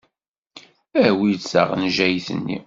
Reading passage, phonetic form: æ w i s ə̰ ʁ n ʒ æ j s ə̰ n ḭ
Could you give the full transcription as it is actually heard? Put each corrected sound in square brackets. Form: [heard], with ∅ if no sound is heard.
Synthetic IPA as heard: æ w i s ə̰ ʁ n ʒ æ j [θ] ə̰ [nː] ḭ